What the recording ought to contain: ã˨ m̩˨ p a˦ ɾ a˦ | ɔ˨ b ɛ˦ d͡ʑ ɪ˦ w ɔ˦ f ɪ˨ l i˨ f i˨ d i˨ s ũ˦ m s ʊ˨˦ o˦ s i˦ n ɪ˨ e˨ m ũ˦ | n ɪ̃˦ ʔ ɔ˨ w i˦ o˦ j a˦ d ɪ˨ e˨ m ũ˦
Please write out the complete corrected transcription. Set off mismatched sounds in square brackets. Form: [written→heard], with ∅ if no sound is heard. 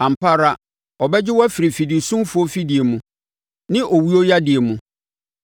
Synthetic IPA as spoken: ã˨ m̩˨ p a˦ ɾ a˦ | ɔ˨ b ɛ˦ d͡ʑ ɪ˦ w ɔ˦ f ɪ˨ [l→ɾ] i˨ f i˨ d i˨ s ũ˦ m [s→f] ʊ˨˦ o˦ [s→f] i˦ [n→d] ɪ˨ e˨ m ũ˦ | n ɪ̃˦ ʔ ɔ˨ w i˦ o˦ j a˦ d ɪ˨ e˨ m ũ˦